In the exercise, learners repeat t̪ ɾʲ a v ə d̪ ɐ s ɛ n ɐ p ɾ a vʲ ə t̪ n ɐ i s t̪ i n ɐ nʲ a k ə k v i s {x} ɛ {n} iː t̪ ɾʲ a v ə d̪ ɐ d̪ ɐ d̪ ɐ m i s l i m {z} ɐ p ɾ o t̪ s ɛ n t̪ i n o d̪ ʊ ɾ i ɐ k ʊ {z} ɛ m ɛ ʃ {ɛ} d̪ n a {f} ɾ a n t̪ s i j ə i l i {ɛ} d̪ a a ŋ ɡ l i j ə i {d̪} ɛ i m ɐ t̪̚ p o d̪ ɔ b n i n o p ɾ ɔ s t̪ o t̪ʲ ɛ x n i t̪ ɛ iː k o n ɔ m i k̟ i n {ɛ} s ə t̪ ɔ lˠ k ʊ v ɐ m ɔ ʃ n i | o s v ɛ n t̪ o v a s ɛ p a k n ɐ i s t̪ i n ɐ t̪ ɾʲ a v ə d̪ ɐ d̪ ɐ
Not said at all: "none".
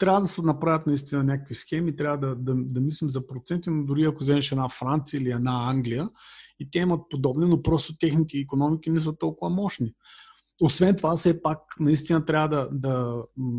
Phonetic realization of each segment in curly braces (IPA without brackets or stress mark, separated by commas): x, m, z, z, ɛ, f, ɛ, t̪, ɛ